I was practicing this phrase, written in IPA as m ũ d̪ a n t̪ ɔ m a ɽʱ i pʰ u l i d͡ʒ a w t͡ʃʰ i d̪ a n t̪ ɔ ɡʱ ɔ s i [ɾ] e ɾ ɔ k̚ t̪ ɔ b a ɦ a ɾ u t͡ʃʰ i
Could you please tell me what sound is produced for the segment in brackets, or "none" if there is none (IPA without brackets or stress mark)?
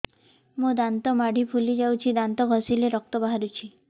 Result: l